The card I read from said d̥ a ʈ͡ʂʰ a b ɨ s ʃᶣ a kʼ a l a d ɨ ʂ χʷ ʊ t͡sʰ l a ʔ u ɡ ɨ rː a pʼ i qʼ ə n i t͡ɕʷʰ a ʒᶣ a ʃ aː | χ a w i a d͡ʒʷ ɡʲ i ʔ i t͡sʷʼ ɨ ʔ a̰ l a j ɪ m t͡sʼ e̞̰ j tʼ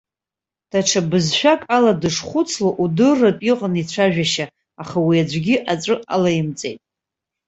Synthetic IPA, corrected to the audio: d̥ a ʈ͡ʂʰ a b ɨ z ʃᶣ a kʼ a l a d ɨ ʂ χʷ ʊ t͡sʰ l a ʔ u d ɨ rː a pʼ i qʼ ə n i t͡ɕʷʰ a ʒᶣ a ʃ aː | χ a w i a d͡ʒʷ ɡʲ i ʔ a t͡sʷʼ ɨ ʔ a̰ l a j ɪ m t͡sʼ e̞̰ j tʼ